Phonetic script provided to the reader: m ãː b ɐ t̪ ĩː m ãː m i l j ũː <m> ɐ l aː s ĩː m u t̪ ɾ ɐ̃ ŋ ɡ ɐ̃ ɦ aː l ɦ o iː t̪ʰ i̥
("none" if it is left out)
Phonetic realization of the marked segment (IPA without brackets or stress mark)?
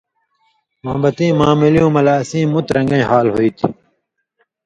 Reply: m